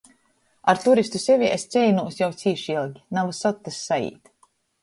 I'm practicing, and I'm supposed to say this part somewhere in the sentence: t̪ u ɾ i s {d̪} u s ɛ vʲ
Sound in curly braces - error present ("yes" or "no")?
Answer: yes